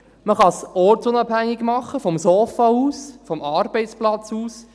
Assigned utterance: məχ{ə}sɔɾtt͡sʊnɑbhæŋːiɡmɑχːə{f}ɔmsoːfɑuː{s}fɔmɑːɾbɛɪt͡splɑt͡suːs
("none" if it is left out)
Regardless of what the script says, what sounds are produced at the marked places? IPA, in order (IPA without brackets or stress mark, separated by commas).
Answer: ɑ, f, s